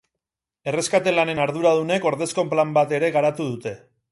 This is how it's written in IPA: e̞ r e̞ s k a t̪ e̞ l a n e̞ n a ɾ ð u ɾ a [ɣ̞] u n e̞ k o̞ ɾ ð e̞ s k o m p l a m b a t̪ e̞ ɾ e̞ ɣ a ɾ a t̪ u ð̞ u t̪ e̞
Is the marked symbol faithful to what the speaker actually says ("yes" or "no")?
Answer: no